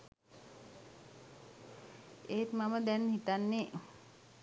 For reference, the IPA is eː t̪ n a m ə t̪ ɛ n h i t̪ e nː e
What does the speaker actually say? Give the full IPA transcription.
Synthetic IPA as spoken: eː t̪ m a m ə d̪ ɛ n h i t̪ a nː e